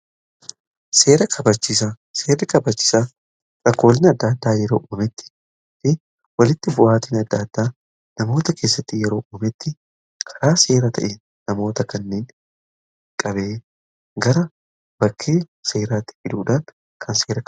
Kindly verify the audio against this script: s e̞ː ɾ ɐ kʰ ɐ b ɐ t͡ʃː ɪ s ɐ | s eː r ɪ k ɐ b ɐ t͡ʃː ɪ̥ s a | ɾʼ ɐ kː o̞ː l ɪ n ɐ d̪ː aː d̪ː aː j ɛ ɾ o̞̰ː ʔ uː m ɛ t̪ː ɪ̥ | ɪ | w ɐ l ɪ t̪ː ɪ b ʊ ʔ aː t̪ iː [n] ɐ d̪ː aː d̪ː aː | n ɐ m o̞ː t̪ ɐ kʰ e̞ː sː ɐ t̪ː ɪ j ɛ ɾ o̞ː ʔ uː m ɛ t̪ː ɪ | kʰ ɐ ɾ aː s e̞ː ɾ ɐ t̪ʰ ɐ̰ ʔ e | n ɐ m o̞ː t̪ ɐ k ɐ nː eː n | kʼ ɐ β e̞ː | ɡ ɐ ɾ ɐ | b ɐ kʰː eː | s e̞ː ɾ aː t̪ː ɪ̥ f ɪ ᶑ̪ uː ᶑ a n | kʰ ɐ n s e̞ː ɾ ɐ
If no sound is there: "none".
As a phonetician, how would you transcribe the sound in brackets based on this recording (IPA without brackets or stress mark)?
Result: n